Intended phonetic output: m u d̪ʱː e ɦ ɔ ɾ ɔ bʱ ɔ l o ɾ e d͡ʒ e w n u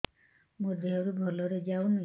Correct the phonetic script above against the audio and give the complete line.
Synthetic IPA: m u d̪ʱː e ɦ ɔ ɾ u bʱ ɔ l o ɾ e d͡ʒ a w n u

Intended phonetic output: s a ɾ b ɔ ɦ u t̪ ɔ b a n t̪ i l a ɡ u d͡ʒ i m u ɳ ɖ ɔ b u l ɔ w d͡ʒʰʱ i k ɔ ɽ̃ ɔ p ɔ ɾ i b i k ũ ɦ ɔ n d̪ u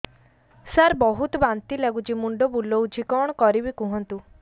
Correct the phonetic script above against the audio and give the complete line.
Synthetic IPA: s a ɾ b ɔ ɦ u t̪ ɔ b a n t̪ i l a ɡ u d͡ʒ i m u ɳ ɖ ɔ b u l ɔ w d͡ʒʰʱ i k ɔ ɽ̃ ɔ k ɔ ɾ i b i k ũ ɦ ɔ n t̪ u

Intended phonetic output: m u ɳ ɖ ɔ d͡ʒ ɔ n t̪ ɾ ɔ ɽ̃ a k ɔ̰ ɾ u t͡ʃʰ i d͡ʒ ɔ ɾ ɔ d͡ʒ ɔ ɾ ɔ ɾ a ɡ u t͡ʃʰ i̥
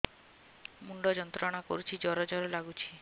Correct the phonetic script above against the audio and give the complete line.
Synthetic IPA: m u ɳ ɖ ɔ d͡ʒ ɔ n t̪ ɾ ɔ ɽ̃ a k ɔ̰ ɾ u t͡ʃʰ i d͡ʒ ɔ ɾ ɔ d͡ʒ ɔ ɾ ɔ l a ɡ u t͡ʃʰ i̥

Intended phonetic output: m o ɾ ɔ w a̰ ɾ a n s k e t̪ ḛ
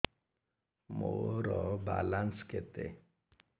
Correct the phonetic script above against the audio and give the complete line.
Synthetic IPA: m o ɾ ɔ b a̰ l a n s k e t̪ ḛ

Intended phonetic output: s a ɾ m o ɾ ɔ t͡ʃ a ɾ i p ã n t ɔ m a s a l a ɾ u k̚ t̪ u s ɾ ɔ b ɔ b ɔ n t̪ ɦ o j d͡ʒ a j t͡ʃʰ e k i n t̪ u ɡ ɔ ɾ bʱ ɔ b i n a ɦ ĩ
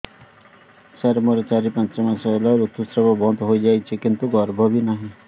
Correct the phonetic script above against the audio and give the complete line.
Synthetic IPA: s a ɾ m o ɾ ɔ t͡ʃ a ɾ i p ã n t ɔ m a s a l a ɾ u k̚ t̪ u s ɾ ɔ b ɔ b ɔ n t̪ ɦ o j d͡ʒ a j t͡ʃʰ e k i n t̪ u ɡ ɔ ɾ bʱ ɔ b i n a ɦ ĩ

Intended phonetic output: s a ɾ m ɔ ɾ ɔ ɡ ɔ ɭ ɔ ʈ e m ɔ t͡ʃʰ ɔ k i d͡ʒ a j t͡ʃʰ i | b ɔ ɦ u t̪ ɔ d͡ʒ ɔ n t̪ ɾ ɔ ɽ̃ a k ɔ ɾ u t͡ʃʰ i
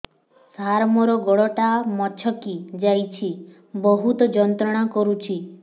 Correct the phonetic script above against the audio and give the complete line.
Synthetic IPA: s a ɾ m ɔ ɾ ɔ ɡ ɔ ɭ ɔ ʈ a m ɔ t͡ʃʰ ɔ k i d͡ʒ a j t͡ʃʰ i | b ɔ ɦ u t̪ ɔ d͡ʒ ɔ n t̪ ɾ ɔ ɽ̃ a k ɔ ɾ u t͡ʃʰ i

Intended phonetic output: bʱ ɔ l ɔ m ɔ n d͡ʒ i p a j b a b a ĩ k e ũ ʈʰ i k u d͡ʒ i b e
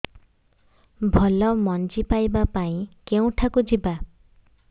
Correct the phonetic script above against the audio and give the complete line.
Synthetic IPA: bʱ ɔ l ɔ m ɔ n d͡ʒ i p a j b a p a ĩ k e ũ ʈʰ a k u d͡ʒ i b a

